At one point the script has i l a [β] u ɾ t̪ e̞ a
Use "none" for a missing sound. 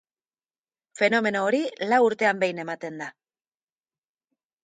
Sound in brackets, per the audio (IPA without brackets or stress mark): w